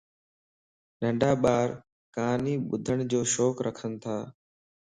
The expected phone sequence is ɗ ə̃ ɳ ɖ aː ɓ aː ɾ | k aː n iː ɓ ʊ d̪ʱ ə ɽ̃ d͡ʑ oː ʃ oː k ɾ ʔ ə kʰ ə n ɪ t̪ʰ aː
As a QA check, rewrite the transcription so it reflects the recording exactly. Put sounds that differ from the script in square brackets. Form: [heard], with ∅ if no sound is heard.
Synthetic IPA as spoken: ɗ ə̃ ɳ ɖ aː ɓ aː ɾ | k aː n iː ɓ ʊ d̪ʱ ə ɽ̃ d͡ʑ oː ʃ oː k ɾ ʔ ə kʰ ə n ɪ t̪ʰ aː